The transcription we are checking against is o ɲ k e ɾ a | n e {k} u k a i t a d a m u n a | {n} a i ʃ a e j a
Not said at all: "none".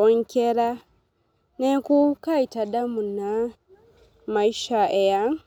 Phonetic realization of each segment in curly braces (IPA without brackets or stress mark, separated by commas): k, m